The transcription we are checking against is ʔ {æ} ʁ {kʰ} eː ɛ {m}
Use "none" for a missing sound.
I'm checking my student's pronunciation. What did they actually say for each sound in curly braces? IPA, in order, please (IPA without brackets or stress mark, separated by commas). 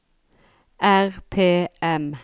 æ, pʰ, m